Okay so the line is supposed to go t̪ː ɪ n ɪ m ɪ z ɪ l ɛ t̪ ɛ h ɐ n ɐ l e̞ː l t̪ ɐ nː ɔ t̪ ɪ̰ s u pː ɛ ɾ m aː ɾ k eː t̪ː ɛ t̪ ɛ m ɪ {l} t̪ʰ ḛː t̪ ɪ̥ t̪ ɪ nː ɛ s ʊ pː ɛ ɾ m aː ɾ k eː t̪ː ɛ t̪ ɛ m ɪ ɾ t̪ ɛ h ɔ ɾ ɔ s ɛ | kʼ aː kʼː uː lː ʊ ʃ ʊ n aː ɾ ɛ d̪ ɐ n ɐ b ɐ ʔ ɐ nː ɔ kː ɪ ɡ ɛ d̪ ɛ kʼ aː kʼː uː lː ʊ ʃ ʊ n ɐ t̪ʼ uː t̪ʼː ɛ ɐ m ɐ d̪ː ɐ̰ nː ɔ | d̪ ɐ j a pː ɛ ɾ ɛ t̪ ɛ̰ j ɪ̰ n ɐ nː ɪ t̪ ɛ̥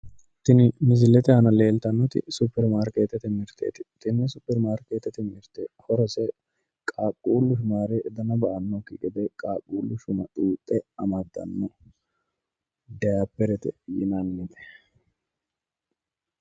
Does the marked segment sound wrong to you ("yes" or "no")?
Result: yes